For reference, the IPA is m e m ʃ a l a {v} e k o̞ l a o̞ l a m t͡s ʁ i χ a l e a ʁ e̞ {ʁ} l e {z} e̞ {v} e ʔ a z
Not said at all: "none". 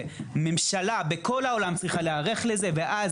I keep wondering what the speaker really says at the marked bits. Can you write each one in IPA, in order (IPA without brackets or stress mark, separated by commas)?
b, χ, z, v